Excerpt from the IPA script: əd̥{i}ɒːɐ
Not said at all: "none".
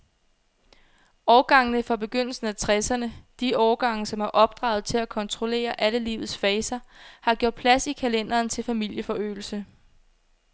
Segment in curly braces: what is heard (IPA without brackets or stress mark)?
i